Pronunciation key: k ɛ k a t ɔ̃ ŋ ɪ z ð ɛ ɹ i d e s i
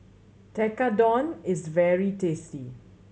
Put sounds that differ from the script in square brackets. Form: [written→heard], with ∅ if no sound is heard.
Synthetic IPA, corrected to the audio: [k→t] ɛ k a [t→d] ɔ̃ [ŋ→n] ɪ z [ð→v] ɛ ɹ i [d→t] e s i